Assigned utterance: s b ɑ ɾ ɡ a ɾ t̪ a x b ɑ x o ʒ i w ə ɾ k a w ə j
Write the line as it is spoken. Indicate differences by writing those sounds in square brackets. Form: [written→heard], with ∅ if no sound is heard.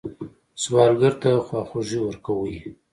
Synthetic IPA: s [b→w] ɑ ɾ ɡ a ɾ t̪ a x [b→w] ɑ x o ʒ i w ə ɾ k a w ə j